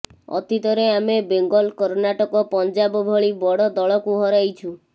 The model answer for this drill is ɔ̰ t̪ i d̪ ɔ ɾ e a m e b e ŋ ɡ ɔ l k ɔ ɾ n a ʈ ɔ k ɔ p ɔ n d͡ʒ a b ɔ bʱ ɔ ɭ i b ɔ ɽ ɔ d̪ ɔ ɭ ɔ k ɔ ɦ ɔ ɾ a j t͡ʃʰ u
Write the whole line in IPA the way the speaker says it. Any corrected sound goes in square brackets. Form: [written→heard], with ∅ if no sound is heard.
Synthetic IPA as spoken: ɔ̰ t̪ i [d̪→t̪] ɔ ɾ e a m e b e ŋ ɡ ɔ l k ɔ ɾ n a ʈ ɔ k ɔ p ɔ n d͡ʒ a b ɔ bʱ ɔ ɭ i b ɔ ɽ ɔ d̪ ɔ ɭ ɔ k [ɔ→u] ɦ ɔ ɾ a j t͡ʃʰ u